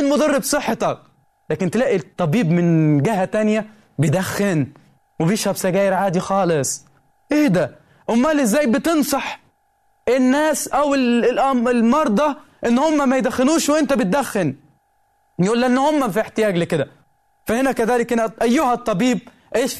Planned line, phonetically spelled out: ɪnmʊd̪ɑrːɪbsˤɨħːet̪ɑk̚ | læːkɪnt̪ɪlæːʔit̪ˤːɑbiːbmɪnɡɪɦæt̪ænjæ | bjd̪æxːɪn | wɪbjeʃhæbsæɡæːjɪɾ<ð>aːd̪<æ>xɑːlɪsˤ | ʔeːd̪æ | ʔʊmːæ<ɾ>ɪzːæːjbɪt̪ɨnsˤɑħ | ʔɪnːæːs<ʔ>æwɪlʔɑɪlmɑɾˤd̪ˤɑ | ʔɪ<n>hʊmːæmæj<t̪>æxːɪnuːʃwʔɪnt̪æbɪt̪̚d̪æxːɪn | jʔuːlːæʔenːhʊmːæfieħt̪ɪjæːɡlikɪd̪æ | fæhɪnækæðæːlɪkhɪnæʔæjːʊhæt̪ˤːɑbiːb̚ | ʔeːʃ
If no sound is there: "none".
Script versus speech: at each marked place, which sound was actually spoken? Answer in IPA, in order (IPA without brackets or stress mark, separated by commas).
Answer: ʕ, i, l, ʔ, nː, d̪